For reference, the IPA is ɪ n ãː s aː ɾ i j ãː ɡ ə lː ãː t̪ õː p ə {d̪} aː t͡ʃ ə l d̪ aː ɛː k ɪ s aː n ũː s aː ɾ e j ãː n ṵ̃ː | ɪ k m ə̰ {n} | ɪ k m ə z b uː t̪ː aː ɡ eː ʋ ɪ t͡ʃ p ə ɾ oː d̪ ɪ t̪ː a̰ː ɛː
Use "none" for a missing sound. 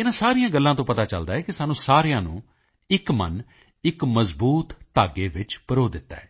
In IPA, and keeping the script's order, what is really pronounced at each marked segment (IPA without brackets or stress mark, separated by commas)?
t̪, n